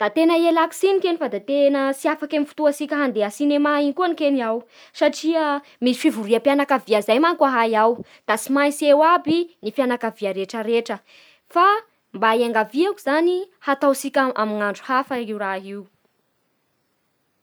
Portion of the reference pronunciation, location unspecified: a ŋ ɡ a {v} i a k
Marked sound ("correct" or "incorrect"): correct